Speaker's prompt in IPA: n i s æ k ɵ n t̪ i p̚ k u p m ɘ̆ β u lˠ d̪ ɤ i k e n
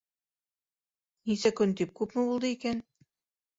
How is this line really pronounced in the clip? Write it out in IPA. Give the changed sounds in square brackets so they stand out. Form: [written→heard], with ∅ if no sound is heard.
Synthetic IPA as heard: n i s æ k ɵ n t̪ i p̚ k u p m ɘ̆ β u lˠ d̪ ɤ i k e n